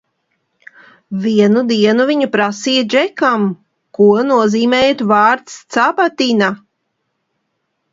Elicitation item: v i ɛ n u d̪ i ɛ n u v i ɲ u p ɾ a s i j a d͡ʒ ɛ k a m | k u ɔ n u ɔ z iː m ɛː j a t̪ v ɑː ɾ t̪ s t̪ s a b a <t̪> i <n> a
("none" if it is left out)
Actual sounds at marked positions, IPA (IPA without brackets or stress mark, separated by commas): t̪, n